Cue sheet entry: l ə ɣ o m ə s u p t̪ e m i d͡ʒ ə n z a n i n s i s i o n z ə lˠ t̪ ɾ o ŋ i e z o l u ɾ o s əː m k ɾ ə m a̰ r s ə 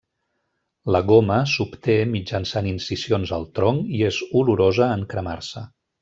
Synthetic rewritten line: l ə ɣ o m ə s u p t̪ e m i d͡ʒ ə n s a n i n s i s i o n z ə lˠ t̪ ɾ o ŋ i e z u l u ɾ o z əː ŋ k ɾ ə m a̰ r s ə